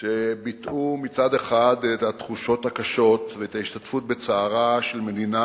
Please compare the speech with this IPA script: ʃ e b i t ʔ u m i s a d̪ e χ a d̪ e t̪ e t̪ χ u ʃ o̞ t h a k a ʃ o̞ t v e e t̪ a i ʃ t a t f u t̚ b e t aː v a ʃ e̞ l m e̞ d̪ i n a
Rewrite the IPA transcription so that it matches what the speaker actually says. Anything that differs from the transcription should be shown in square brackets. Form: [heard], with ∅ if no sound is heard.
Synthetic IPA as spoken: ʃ e b i t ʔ u m i [t͡s] a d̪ e χ a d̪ e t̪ [a] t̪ χ u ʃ o̞ t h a k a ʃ o̞ t v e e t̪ a i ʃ t a t f u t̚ b e [t͡s] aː [ʁ] a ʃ e̞ l m e̞ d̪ i n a